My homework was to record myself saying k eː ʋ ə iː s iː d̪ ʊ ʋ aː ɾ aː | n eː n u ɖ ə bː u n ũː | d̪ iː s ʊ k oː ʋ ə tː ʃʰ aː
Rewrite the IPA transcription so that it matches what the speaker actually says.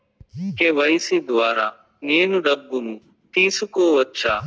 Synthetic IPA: k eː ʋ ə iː s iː d̪ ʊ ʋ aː ɾ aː | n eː n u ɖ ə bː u n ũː | t̪ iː s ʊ k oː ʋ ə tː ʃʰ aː